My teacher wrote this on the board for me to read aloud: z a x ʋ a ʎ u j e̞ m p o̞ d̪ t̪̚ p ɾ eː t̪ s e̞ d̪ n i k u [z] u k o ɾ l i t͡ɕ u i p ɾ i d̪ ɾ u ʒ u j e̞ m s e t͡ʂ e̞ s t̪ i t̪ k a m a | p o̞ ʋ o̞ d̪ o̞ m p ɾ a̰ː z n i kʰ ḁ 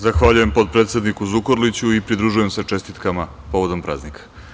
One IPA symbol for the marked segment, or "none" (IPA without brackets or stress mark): z